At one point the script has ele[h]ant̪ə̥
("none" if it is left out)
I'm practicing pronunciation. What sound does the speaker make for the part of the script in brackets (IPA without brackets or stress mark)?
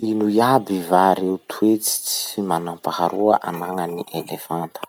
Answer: f